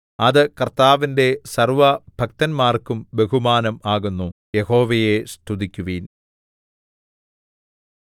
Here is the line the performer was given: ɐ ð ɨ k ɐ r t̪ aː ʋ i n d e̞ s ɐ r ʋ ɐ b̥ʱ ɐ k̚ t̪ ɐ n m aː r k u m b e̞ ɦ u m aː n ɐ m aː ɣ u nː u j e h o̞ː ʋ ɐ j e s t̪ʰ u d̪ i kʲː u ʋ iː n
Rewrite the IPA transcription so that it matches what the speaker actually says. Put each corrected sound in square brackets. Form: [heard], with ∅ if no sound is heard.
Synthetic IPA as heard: ɐ ð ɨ k ɐ r t̪ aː ʋ i n d e̞ s ɐ r ʋ ɐ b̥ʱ ɐ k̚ t̪ ɐ n m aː r k u m b e̞ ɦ u m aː n ɐ m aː ɣ u nː u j e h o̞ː ʋ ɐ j e s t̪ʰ u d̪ i kʲː u ʋ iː n